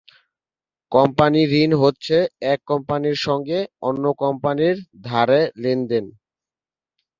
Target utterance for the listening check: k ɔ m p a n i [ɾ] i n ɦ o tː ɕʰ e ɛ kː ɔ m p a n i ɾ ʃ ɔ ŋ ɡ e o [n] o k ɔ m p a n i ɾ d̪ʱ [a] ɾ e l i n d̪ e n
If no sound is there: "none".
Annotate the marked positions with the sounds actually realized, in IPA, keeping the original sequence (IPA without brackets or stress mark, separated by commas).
ɾ, nː, a